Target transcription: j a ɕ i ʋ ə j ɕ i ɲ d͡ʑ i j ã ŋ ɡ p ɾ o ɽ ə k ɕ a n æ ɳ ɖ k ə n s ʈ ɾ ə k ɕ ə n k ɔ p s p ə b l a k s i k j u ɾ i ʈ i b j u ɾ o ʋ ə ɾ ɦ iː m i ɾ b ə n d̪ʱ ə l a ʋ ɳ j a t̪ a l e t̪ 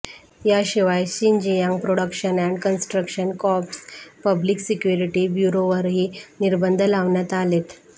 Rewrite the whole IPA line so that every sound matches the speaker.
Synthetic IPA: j a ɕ i ʋ a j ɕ i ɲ d͡ʑ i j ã ŋ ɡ p ɾ o ɽ ə k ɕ ə n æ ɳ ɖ k ə n s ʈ ɾ ə k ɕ ə n k ɔ p s p ə b l i k s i k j u ɾ i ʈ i b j u ɾ o ʋ ə ɾ ɦ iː n i ɾ b ə n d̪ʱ ə l a ʋ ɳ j a t̪ a l e t̪

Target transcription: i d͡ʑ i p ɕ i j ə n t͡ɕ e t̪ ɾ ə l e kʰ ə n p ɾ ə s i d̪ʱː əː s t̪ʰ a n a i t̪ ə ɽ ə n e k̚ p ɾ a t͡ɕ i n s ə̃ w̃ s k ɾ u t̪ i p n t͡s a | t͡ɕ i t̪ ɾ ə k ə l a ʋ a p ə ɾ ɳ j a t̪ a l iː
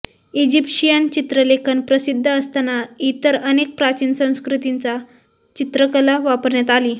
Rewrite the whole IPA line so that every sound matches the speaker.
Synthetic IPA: i d͡ʑ i p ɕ i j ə n t͡ɕ i t̪ ɾ ə l e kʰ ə n p ɾ ə s i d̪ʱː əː s t̪ a n a i t̪ ə ɾ ə n e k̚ p ɾ a t͡ɕ i n s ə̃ w̃ s k ɾ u t̪ i n t͡s a | t͡ɕ i t̪ ɾ ə k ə l a ʋ a p ə ɾ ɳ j a t̪ a l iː

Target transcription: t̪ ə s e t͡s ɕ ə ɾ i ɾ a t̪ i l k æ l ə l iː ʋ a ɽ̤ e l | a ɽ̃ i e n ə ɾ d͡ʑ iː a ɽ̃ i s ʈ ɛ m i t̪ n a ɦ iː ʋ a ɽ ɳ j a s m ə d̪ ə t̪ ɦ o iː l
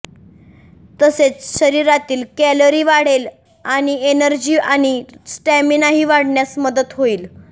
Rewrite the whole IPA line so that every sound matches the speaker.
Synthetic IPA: t̪ ə s e t͡s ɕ ə ɾ i ɾ a t̪ iː l k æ l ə ɾ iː ʋ a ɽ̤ e l | a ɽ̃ i e n ə ɾ d͡ʑ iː a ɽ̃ i s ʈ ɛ m i n a ɦ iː ʋ a ɽ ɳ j a s m ə d̪ ə t̪ ɦ o iː l

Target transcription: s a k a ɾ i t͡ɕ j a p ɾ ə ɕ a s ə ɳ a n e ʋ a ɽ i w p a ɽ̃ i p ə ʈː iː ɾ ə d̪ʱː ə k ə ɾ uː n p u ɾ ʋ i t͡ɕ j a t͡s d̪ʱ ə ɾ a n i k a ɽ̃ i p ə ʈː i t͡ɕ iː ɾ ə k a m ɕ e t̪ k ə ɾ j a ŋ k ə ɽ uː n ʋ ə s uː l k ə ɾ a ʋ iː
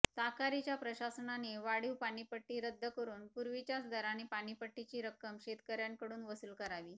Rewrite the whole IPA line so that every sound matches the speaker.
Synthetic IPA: s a k a ɾ i t͡ɕ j a p ɾ ə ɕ a s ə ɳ a n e ʋ a ɽ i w p a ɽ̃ i p ə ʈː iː ɾ ə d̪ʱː ə k ə ɾ uː n p u ɾ ʋ i t͡ɕ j a t͡s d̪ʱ ə ɾ a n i p a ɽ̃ i p ə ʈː i t͡ɕ iː ɾ ə k ə m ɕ e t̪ k ə ɾ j a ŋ k ə ɽ uː n ʋ ə s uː l k ə ɾ a ʋ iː

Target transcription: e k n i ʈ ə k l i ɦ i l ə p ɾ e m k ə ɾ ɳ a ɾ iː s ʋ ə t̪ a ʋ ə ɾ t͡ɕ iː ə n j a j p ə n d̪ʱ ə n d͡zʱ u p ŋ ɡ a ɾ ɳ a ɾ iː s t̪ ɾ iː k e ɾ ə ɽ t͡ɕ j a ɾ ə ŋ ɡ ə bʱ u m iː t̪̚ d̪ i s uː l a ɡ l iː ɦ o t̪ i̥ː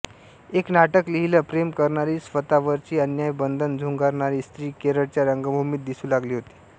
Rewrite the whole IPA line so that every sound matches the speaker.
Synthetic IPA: e k n a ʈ ə k l i ɦ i l ə p ɾ e m k ə ɾ ɳ a ɾ iː s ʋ ə t̪ a ʋ ə ɾ t͡ɕ iː ə n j a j b ə n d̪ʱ ə n d͡zʱ u ŋ ɡ a ɾ ɳ a ɾ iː s t̪ ɾ iː k e ɾ ə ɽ t͡ɕ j a ɾ ə ŋ ɡ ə bʱ u m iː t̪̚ d̪ i s uː l a ɡ l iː ɦ o t̪ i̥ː

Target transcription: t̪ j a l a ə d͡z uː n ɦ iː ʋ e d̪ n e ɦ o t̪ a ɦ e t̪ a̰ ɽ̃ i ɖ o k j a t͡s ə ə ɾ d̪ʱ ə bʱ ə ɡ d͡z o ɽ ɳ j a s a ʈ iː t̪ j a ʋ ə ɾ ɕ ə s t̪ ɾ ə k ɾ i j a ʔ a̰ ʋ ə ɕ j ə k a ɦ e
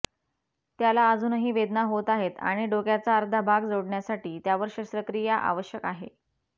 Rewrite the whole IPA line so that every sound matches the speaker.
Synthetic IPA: t̪ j a l a ə d͡z uː n ɦ iː ʋ e d̪ n a ɦ o t̪ a ɦ e t̪ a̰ ɽ̃ i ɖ o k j a t͡s a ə ɾ d̪ʱ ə bʱ a ɡ d͡z o ɽ ɳ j a s a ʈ iː t̪ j a ʋ ə ɾ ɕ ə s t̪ ɾ ə k ɾ i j a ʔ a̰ ʋ ə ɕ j ə k a ɦ e

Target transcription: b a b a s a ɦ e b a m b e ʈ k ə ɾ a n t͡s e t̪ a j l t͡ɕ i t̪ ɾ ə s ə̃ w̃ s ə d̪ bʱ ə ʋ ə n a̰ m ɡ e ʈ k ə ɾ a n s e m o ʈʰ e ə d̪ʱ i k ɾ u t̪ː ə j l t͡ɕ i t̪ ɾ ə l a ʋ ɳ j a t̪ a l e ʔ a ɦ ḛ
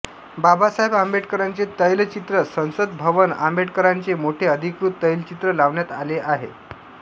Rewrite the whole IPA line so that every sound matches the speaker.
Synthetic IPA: b a b a s a ɦ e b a m b e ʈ k ə ɾ a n t͡s e t̪ ə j l t͡ɕ i t̪ ɾ ə s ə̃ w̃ s ə d̪ bʱ ə ʋ ə n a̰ m b e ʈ k ə ɾ a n t͡s e m o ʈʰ e ə d̪ʱ i k ɾ u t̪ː ə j l t͡ɕ i t̪ ɾ ə l a ʋ ɳ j a t̪ a l e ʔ a ɦ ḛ

